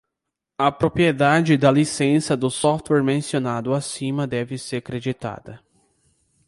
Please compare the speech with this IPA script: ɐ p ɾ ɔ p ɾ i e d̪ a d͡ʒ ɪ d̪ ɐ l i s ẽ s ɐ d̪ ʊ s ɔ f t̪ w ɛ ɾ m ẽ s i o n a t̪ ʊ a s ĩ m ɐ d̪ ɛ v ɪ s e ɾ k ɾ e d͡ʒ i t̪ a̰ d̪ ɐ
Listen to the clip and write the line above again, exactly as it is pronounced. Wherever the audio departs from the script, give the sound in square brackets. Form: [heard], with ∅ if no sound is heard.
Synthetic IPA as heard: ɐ p ɾ [o] p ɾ i e d̪ a d͡ʒ ɪ d̪ ɐ l i s ẽ s ɐ d̪ ʊ s ɔ f t̪ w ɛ ɾ m ẽ s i o n a [d̪] ʊ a s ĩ m ɐ d̪ ɛ v ɪ s e ɾ k ɾ e d͡ʒ i t̪ a̰ d̪ ɐ